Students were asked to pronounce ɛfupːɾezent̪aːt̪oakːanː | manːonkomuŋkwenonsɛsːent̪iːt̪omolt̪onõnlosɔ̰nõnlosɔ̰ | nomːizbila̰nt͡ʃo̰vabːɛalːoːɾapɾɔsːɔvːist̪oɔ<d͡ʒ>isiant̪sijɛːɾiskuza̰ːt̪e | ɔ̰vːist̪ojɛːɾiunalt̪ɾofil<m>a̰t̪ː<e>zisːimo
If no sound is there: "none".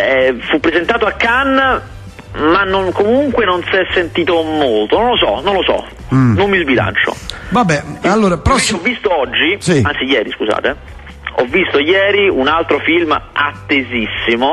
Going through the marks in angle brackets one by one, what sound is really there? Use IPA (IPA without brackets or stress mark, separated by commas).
d͡ʒː, m, e